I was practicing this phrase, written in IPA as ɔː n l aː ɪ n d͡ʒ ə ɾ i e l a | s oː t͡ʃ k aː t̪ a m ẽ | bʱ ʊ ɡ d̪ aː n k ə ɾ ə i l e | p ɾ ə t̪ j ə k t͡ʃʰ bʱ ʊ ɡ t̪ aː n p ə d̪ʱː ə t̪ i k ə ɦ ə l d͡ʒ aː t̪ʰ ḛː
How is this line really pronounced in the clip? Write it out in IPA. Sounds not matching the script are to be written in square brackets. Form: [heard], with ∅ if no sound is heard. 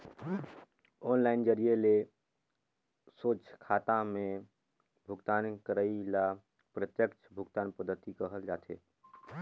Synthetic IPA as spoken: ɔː n l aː ɪ n d͡ʒ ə ɾ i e l [e] | s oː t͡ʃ [kʰ] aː t̪ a m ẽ | bʱ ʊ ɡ [t̪] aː n k ə ɾ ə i l [a] | p ɾ ə t̪ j ə k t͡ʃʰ bʱ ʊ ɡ t̪ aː n p ə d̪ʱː ə t̪ i k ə ɦ ə l d͡ʒ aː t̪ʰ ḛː

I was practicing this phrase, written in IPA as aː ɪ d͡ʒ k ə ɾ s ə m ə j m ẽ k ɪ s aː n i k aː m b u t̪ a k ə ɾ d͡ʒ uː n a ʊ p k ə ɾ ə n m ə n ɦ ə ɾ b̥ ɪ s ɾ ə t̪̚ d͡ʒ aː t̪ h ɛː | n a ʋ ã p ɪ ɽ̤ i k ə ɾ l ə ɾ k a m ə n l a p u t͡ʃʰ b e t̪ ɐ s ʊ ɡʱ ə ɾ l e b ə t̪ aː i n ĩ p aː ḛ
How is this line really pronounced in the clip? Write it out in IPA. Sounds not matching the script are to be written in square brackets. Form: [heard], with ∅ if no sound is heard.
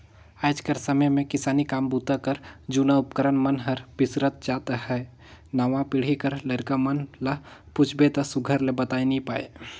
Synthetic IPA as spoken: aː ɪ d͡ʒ k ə ɾ s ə m ə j m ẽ k ɪ s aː n i k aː m b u t̪ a k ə ɾ d͡ʒ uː n a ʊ p k ə ɾ ə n m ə n ɦ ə ɾ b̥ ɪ s ɾ ə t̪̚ d͡ʒ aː t̪ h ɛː | n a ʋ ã p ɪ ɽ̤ i k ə ɾ l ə ɾ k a m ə n l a p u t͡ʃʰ b e t̪ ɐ s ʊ ɡʱ ə ɾ l e b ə t̪ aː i n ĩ p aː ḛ

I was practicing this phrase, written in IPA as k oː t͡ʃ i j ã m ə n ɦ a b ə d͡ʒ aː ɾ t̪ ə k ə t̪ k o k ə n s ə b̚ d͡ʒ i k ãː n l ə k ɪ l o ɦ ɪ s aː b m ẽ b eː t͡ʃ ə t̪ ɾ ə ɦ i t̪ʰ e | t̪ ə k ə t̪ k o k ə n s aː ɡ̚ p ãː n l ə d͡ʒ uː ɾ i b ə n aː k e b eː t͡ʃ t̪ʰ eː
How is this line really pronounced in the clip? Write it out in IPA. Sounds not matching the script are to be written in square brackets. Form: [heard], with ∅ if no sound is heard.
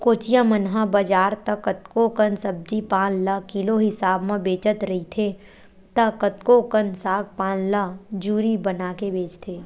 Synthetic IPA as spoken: k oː t͡ʃ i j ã m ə n ɦ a b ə d͡ʒ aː ɾ t̪ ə k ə t̪ k o k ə n s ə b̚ d͡ʒ i [p] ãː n l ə k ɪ l o ɦ ɪ s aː b m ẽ b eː t͡ʃ ə t̪ ɾ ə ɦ i t̪ʰ e | t̪ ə k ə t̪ k o k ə n s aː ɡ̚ p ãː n l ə d͡ʒ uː ɾ i b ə n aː k e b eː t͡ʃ t̪ʰ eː

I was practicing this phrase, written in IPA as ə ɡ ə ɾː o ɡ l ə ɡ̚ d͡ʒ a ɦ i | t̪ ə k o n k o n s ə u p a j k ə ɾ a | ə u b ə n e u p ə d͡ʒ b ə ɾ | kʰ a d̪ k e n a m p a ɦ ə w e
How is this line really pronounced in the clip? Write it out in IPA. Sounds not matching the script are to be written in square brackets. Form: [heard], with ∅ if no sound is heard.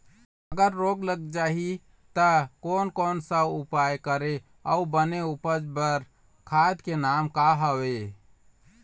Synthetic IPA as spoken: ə ɡ ə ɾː o ɡ l ə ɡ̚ d͡ʒ a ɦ i | t̪ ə k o n k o n s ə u p a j k ə ɾ [e] | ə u b ə n e u p ə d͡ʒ b ə ɾ | kʰ a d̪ k e n a m [k] a ɦ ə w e

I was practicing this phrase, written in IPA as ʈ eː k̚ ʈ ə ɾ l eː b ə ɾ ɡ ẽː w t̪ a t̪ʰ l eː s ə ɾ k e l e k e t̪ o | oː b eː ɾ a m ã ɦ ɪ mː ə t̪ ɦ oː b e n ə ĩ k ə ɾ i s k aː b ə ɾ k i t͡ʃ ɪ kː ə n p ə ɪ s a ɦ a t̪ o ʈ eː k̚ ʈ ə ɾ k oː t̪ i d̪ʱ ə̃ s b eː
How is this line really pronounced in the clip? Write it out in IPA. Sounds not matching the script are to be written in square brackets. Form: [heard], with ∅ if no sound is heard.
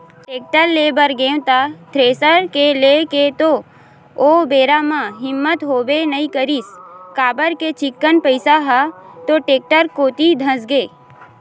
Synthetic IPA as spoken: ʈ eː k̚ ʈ ə ɾ l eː b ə ɾ ɡ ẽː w t̪ a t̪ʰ [ɾ] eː s ə ɾ k e l e k e t̪ o | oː b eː ɾ a m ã ɦ ɪ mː ə t̪ ɦ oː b e n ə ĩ k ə ɾ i s k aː b ə ɾ k [e] t͡ʃ ɪ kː ə n p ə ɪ s a ɦ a t̪ o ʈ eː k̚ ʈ ə ɾ k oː t̪ i d̪ʱ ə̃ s [ɡ] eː

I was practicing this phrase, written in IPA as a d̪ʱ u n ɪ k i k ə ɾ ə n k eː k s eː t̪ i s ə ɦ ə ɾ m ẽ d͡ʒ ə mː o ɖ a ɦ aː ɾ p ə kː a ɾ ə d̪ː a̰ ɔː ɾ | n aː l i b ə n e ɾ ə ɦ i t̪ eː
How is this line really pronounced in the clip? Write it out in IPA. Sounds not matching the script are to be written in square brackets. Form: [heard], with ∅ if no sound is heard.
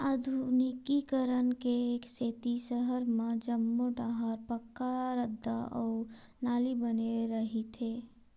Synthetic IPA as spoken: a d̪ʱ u n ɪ k i k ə ɾ ə n k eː k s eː t̪ i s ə ɦ ə ɾ m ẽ d͡ʒ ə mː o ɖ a ɦ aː ɾ p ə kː a ɾ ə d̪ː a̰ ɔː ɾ | n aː l i b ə n e ɾ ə ɦ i [t̪ʰ] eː

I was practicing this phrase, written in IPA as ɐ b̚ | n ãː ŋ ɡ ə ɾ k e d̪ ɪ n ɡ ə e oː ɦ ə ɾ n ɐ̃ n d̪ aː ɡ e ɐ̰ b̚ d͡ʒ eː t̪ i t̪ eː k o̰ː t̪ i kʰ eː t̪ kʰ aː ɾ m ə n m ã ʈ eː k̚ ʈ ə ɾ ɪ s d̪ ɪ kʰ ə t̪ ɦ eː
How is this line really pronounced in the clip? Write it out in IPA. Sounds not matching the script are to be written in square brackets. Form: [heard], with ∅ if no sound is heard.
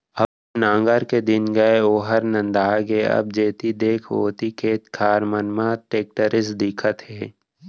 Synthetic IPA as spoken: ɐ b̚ | n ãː ŋ ɡ ə ɾ k e d̪ ɪ n ɡ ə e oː ɦ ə ɾ n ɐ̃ n d̪ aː ɡ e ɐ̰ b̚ d͡ʒ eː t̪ i [d̪] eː [kʰ] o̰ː t̪ i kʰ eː t̪ kʰ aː ɾ m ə n m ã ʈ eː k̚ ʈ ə ɾ ɪ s d̪ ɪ kʰ ə t̪ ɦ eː

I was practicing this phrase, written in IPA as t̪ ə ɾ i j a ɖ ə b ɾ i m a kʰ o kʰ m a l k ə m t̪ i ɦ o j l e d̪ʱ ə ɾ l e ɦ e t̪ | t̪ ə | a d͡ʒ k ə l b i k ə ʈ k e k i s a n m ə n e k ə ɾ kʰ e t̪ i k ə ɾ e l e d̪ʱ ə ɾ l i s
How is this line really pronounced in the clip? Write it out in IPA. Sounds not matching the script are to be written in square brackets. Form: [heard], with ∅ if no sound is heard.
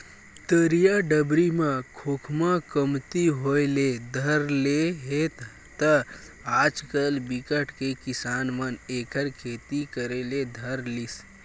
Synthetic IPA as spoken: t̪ ə ɾ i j a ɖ ə b ɾ i m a kʰ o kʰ m a [∅] k ə m t̪ i ɦ o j l e d̪ʱ ə ɾ l e ɦ e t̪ | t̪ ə | a d͡ʒ k ə l b i k ə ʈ k e k i s a n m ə n e k ə ɾ kʰ e t̪ i k ə ɾ e l e d̪ʱ ə ɾ l i s

